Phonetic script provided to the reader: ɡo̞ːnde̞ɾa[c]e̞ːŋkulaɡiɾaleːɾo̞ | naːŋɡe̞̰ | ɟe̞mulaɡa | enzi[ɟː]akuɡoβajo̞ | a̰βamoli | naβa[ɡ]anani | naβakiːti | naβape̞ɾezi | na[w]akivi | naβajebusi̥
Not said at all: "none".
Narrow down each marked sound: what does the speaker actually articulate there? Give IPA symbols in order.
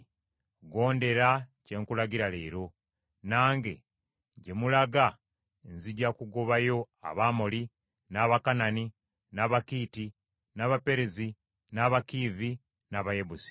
c, ɟ, k, β

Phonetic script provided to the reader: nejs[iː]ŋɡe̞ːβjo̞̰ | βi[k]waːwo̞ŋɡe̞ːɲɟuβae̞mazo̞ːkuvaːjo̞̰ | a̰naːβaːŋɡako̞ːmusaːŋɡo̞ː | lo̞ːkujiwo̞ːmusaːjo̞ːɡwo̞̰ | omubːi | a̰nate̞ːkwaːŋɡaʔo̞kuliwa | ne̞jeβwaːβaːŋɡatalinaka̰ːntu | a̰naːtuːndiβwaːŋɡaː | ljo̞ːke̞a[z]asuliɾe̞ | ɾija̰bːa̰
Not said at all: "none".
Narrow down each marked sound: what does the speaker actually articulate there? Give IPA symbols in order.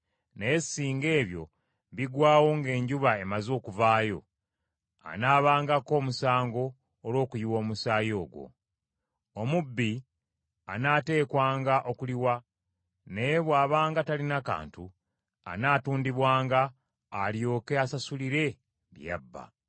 iː, ɡ, s

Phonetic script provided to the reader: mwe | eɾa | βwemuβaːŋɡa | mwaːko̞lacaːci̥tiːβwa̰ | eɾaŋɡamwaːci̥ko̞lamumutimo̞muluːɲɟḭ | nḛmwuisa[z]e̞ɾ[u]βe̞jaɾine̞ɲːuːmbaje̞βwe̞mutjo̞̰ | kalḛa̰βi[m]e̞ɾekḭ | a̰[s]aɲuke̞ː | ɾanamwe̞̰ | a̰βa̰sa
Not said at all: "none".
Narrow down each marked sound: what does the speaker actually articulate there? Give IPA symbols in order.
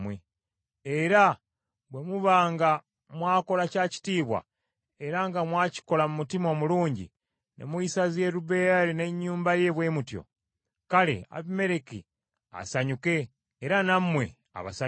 z, u, m, s

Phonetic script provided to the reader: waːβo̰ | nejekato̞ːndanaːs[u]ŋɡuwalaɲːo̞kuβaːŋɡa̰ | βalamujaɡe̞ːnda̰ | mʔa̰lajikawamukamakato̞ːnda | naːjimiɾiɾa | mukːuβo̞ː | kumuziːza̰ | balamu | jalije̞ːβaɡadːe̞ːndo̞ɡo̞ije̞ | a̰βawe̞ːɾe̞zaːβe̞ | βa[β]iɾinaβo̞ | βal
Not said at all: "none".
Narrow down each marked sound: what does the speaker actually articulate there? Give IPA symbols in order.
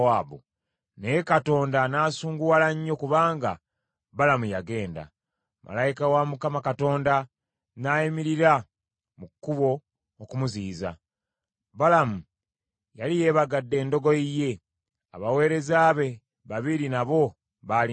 uː, β

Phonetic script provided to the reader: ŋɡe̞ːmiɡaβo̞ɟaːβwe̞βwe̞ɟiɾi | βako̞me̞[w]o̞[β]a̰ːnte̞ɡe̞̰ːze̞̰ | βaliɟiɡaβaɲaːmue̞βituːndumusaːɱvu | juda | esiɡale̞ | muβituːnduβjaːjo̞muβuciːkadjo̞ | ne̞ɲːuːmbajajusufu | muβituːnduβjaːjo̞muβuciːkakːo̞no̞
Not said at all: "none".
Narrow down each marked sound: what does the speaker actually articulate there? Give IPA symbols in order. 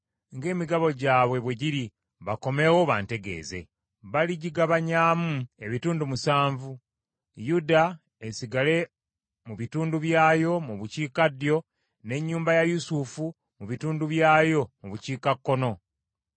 w, β

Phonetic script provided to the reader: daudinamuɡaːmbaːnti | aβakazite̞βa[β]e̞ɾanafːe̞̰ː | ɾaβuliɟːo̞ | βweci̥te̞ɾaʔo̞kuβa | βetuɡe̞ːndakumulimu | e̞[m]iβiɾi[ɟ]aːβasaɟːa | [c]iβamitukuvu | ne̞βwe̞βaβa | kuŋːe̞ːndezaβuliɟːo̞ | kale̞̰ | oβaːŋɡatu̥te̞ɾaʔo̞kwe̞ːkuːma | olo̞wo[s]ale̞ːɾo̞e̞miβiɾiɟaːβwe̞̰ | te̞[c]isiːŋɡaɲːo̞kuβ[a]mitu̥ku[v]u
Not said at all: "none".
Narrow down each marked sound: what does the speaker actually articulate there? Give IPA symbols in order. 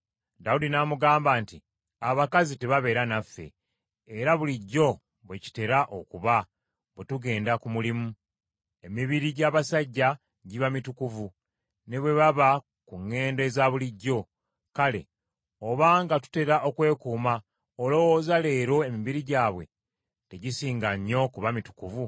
β, m, ɟ, ɟ, z, ɟ, a, v

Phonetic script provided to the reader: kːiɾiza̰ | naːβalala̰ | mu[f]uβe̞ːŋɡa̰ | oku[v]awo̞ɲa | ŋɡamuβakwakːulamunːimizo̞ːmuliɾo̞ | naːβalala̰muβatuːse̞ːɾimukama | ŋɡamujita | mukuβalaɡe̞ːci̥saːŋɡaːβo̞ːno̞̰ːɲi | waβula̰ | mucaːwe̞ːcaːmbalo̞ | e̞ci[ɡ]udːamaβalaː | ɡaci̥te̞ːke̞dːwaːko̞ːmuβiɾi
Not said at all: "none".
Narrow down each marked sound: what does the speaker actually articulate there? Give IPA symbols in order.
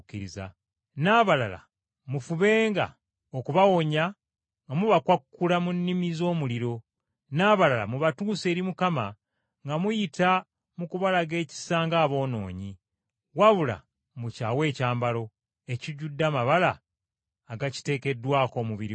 f, β, ɟ

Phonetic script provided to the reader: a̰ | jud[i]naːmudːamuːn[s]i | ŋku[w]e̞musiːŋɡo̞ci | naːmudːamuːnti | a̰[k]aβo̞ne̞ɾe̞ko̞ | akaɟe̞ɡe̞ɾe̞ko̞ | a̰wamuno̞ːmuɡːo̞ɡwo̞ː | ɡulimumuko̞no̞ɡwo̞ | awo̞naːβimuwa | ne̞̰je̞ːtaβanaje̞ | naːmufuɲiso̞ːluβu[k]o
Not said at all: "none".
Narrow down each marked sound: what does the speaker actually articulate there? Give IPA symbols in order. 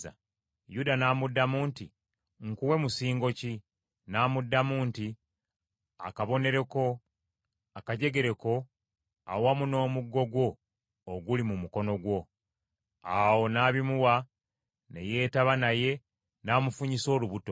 a, t, w, k, t

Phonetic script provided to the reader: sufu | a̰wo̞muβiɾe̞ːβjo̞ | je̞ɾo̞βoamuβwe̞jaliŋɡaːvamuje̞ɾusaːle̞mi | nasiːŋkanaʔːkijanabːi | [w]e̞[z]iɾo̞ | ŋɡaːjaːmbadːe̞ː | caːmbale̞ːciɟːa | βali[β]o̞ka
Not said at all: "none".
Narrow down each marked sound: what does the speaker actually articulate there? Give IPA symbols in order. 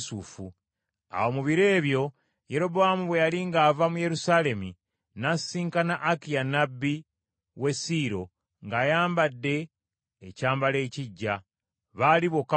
w, s, β

